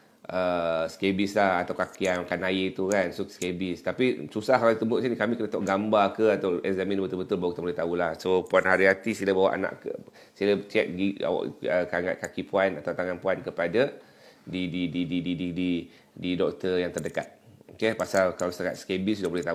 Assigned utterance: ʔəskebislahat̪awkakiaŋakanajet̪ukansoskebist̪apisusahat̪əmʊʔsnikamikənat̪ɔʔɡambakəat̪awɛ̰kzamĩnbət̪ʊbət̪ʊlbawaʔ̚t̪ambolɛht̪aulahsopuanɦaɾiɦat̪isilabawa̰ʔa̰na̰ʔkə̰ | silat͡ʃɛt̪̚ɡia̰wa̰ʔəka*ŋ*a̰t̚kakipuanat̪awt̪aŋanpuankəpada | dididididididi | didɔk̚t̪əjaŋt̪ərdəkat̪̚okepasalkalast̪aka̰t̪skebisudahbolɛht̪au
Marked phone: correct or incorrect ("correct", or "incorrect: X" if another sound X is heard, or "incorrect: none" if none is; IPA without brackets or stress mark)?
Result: correct